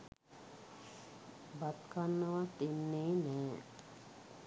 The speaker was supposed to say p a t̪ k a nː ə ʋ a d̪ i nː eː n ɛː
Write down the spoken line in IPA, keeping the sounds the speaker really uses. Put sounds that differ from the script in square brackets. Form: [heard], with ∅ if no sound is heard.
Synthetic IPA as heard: [b] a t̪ k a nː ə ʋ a [t̪] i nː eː n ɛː